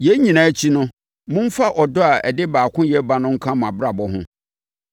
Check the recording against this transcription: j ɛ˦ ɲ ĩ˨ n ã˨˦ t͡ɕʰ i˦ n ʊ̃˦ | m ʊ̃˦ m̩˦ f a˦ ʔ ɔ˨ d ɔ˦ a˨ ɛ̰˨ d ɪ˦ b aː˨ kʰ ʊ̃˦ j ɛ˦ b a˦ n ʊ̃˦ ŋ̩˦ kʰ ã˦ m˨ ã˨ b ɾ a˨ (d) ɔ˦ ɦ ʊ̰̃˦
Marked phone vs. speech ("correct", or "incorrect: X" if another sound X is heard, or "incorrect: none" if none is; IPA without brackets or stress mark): incorrect: b